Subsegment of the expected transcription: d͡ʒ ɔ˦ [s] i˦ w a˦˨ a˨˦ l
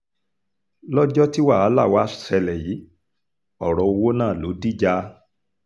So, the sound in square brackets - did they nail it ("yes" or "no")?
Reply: no